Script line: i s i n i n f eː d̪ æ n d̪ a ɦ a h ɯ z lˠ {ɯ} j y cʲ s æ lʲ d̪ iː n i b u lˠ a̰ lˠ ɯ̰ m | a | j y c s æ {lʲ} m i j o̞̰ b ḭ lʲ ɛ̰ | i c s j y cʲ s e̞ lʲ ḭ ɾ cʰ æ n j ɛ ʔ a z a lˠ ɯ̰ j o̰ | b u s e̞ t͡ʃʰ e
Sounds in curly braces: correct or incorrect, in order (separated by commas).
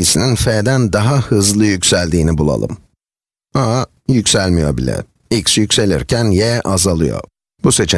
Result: correct, correct